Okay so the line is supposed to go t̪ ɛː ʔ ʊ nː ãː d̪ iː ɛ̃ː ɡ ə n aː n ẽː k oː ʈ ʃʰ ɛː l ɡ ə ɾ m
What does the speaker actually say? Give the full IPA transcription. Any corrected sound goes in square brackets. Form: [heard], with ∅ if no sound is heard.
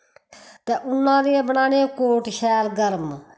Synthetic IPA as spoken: t̪ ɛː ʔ ʊ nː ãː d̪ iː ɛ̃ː [b] ə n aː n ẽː k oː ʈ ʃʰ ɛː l ɡ ə ɾ m